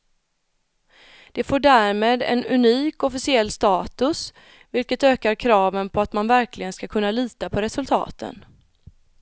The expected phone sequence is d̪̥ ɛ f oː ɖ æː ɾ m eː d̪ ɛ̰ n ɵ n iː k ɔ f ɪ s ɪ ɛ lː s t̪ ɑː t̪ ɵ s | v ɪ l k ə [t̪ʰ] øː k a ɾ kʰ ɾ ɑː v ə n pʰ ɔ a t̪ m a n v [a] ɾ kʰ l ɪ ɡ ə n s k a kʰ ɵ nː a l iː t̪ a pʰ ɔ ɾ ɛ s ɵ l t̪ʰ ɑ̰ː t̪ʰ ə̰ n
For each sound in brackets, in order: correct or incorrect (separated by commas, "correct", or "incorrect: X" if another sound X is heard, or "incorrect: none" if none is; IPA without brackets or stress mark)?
incorrect: t̪, incorrect: æ